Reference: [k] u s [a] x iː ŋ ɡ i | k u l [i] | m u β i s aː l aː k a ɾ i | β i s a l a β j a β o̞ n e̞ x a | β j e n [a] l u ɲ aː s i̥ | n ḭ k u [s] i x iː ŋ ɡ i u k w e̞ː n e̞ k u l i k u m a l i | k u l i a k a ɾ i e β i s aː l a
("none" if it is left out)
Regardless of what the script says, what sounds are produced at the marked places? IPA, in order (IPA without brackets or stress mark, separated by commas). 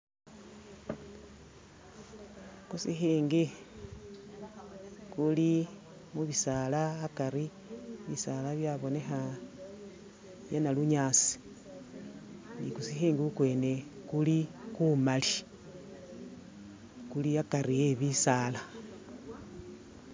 k, i, i, a, s